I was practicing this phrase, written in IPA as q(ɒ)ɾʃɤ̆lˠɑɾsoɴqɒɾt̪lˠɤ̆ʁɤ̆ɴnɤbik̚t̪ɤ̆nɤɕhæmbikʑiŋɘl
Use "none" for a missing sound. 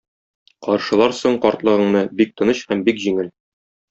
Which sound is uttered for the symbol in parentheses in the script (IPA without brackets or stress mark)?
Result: ɒ